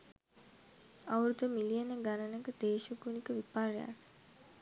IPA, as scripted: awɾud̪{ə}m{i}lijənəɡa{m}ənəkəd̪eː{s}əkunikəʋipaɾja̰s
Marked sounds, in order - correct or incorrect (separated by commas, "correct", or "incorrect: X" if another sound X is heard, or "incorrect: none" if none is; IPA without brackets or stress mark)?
correct, correct, incorrect: n, incorrect: ʃ